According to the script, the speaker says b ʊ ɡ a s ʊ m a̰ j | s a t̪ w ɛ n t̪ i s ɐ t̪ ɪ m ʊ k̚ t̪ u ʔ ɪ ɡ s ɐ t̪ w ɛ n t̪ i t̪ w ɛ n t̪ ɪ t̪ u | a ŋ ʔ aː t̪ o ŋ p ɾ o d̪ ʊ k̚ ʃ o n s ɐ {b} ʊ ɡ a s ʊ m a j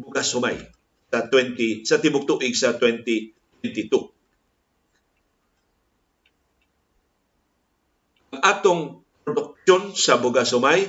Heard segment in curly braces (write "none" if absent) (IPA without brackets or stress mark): b